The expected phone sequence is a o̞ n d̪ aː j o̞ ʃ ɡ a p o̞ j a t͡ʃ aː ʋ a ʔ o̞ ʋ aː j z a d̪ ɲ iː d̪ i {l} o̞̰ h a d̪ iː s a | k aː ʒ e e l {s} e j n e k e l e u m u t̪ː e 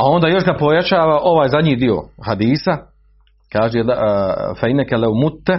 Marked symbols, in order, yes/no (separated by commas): no, no